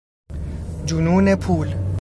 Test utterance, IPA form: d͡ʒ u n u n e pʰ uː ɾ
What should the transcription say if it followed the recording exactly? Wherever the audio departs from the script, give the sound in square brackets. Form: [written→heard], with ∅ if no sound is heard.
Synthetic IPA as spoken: d͡ʒ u n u n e pʰ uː [ɾ→l]